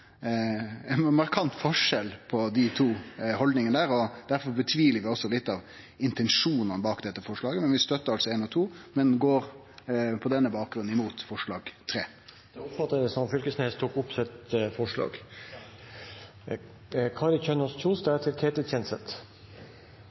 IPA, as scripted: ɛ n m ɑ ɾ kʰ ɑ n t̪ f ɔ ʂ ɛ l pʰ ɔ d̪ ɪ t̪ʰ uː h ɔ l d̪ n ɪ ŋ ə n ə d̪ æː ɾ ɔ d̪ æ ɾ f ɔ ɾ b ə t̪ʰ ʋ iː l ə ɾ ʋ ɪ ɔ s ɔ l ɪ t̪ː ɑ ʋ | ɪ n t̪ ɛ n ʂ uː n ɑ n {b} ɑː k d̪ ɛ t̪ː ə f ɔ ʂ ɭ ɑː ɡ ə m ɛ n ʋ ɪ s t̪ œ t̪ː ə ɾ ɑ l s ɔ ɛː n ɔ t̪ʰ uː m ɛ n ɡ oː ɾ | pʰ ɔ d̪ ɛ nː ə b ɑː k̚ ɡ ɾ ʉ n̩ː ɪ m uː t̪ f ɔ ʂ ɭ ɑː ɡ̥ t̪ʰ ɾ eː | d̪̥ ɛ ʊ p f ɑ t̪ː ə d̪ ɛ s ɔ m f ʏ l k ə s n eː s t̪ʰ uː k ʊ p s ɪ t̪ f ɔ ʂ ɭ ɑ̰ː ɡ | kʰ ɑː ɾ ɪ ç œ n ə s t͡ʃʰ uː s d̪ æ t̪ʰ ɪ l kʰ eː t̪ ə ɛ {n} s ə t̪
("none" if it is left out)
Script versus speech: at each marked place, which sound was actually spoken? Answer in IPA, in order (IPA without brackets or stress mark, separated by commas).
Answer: b, n